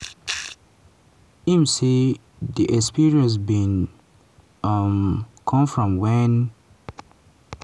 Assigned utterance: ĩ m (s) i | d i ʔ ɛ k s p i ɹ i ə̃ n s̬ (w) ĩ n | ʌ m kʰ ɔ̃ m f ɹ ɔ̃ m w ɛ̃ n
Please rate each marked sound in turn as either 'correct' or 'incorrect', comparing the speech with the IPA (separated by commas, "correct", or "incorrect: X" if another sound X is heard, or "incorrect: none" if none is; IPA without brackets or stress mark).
correct, incorrect: b